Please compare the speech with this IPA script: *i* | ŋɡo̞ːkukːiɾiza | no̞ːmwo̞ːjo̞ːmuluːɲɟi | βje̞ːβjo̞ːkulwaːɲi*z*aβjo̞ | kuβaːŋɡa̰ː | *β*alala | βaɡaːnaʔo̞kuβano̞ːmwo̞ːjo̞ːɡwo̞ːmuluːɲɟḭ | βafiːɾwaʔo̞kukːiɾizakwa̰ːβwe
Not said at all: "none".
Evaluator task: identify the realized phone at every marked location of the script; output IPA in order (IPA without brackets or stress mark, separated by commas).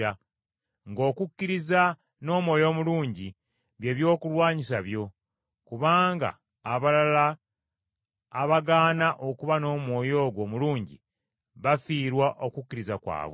a, s, β